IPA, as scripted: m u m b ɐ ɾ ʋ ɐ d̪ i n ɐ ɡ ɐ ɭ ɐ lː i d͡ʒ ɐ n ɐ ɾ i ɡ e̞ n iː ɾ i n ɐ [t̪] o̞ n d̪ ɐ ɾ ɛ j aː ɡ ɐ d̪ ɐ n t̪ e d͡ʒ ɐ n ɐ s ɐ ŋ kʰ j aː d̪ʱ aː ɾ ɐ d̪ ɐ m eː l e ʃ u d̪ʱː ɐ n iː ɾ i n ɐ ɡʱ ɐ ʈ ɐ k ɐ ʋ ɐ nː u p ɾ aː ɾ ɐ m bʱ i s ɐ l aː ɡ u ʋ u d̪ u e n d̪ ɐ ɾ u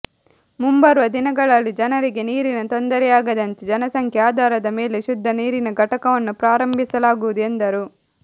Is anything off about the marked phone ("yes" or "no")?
no